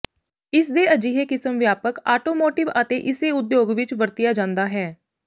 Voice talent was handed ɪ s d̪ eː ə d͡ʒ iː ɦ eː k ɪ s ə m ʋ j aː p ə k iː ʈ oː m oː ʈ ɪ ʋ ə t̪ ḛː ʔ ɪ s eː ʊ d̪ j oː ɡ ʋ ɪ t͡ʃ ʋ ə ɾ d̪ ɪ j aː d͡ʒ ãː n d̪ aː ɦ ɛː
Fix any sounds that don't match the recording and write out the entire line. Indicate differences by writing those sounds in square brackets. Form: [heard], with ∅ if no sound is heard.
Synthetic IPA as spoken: ɪ s d̪ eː ə d͡ʒ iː ɦ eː k ɪ s ə m ʋ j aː p ə k [aː] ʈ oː m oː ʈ ɪ ʋ ə t̪ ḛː ʔ ɪ s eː ʊ d̪ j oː ɡ ʋ ɪ t͡ʃ ʋ ə ɾ [t̪] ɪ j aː d͡ʒ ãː n d̪ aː ɦ ɛː